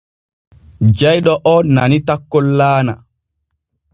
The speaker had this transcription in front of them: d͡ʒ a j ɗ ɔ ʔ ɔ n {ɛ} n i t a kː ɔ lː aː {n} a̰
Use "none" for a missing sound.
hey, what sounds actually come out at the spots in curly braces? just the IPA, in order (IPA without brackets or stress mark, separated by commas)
a, n